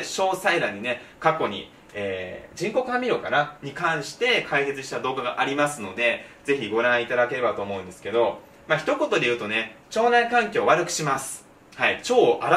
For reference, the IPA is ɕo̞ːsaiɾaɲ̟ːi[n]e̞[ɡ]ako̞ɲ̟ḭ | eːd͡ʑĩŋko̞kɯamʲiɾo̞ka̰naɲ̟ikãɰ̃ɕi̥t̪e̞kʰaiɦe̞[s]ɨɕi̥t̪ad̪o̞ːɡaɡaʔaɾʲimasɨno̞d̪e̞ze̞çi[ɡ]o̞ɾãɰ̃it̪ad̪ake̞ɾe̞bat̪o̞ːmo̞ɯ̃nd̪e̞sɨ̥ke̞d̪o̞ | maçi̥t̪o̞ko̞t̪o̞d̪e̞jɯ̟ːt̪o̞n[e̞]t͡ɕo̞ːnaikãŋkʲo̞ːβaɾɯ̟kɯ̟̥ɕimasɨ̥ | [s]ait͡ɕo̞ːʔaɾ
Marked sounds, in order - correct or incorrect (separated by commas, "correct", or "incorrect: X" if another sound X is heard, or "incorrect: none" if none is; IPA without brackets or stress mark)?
correct, incorrect: k, incorrect: t͡s, correct, correct, incorrect: h